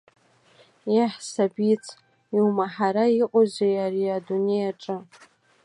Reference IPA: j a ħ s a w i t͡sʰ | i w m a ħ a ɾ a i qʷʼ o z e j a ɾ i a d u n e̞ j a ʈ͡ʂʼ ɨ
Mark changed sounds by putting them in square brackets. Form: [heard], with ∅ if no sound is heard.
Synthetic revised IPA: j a ħ s a [b] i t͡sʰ | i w m a ħ a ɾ a i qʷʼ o z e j a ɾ i a d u n e̞ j a ʈ͡ʂʼ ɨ